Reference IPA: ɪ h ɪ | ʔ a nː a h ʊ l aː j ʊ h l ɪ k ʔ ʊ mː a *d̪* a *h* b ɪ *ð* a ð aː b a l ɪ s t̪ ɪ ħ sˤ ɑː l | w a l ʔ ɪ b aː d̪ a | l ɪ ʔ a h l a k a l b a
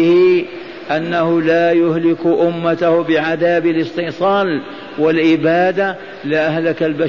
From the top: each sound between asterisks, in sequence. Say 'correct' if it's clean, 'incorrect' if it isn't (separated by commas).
incorrect, correct, incorrect